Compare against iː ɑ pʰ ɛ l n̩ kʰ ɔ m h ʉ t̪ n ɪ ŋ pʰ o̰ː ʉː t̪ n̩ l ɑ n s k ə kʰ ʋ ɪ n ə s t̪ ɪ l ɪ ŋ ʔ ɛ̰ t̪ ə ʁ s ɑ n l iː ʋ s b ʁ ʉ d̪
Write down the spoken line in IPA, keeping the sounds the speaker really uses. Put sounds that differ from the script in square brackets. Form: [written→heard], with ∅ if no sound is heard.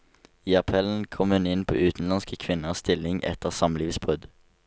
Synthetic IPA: iː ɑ pʰ ɛ l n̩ kʰ ɔ m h ʉ [t̪→∅] n ɪ [ŋ→n] pʰ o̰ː ʉː t̪ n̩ l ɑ n s k ə kʰ ʋ ɪ n ə s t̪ ɪ l ɪ ŋ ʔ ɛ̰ t̪ ə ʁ s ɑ [n→m] l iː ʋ s b ʁ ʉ d̪